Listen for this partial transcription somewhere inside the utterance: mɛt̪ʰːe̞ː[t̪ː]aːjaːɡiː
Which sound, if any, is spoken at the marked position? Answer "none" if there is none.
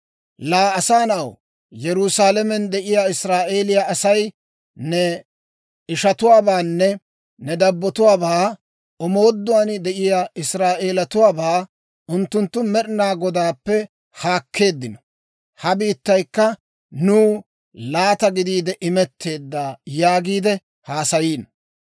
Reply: d̪ː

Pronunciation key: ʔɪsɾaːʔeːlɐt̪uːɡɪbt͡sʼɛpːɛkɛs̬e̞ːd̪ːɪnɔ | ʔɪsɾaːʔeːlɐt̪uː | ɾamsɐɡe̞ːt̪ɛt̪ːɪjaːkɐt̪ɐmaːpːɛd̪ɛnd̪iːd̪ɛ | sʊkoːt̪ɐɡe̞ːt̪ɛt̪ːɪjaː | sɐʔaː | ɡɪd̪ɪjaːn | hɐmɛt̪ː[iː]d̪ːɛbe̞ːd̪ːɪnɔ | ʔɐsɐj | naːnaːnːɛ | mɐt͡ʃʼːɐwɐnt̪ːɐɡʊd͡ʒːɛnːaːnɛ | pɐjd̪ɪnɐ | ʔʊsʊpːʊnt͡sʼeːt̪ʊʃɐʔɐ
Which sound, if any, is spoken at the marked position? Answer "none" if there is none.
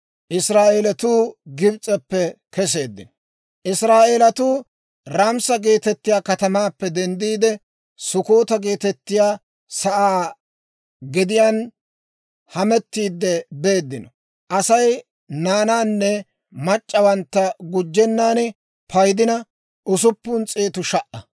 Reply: iː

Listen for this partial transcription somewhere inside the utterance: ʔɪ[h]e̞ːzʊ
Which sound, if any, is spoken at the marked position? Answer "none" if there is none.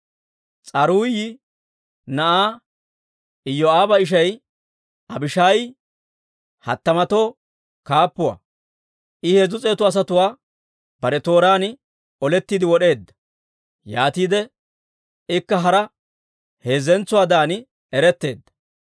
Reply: h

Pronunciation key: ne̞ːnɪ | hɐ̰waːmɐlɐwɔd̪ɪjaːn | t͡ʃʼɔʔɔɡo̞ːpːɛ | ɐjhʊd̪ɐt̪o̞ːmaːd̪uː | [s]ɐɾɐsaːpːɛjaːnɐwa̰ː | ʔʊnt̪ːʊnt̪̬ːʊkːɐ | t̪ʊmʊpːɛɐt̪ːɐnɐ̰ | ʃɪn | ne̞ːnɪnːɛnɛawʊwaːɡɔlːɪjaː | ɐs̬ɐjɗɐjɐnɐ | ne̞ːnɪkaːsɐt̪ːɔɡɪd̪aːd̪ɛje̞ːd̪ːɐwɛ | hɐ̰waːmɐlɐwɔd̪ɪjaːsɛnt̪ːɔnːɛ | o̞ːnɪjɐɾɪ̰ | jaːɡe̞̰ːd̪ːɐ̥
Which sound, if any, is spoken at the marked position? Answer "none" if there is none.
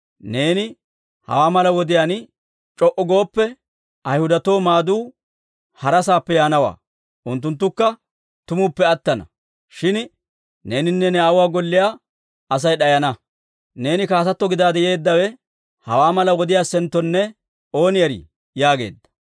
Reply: h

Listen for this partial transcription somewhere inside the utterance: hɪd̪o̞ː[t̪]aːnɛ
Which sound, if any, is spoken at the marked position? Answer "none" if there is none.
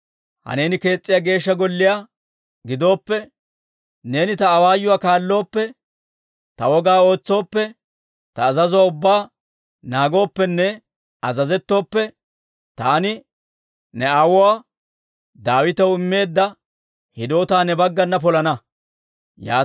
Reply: t̪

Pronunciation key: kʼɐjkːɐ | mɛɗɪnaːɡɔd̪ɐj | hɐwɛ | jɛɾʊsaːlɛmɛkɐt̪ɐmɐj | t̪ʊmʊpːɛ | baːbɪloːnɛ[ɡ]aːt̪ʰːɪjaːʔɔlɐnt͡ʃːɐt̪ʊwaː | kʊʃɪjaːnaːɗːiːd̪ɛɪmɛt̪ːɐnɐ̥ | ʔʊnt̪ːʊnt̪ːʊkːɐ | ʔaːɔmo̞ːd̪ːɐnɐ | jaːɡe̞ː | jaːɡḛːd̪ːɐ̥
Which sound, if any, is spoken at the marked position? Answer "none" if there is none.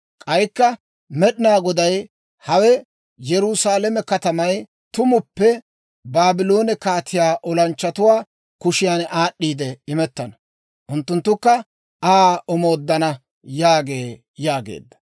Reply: k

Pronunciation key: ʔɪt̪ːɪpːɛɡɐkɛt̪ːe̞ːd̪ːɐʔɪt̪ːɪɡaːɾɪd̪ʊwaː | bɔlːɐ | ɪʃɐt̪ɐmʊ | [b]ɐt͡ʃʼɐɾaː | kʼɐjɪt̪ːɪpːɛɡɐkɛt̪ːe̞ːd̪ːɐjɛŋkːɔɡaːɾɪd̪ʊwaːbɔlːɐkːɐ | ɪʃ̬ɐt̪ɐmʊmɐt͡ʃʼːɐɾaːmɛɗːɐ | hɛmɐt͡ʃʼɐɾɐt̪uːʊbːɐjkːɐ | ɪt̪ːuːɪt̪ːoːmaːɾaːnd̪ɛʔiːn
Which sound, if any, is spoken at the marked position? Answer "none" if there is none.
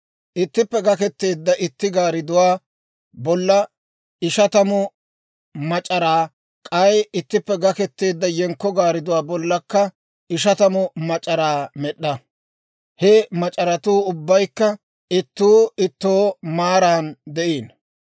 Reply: m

